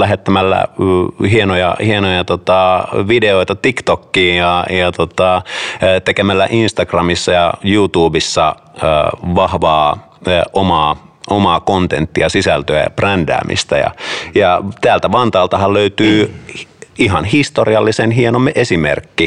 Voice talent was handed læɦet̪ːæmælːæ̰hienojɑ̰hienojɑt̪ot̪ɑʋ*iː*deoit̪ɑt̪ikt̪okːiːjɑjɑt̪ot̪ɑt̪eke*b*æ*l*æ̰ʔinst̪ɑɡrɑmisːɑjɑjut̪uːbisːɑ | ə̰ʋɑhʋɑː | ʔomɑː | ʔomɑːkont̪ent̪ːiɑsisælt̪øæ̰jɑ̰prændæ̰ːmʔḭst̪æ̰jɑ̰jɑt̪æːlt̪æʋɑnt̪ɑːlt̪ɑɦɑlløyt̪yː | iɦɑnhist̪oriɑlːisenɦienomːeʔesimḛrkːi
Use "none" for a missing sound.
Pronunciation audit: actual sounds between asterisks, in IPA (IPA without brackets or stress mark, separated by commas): i, m, lː